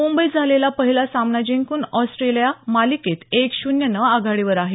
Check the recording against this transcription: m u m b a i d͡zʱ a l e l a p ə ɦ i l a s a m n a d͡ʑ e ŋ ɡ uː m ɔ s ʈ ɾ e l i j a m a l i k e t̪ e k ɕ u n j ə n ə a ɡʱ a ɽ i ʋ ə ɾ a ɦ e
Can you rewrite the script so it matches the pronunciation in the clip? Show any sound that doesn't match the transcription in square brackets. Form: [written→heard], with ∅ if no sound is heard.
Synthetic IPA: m u m b [a→ə] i d͡zʱ a l e l a p ə ɦ i l a s a m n a d͡ʑ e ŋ [ɡ→k] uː [m→n] ɔ s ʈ ɾ e l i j a m a l i k e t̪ e k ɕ u n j ə n ə a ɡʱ a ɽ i ʋ ə ɾ a ɦ e